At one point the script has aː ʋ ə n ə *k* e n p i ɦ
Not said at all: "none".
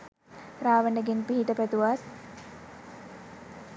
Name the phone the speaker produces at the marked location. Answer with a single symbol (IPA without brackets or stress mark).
ɡ